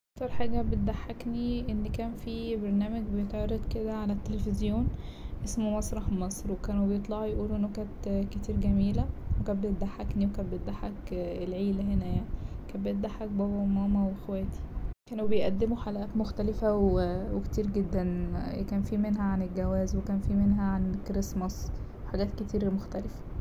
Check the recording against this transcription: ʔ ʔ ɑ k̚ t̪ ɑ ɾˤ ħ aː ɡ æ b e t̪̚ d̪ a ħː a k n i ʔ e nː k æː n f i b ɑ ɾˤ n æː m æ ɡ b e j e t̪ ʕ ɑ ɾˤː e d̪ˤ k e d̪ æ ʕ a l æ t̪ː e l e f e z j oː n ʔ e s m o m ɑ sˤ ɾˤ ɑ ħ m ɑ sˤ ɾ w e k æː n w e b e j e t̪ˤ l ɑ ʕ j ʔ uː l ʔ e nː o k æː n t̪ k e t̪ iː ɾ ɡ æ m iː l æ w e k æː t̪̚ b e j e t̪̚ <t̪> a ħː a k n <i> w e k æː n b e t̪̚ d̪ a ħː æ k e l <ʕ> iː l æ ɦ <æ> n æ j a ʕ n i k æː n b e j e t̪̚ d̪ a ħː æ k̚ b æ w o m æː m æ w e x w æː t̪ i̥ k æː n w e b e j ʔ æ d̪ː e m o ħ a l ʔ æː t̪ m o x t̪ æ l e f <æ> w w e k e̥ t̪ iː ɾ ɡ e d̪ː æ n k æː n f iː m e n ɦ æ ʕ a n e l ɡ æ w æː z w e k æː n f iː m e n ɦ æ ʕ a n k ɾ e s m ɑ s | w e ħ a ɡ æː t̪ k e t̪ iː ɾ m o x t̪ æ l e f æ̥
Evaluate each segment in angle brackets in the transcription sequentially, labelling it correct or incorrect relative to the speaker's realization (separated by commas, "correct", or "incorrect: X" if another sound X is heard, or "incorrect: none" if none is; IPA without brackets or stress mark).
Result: incorrect: d̪, correct, correct, incorrect: e, correct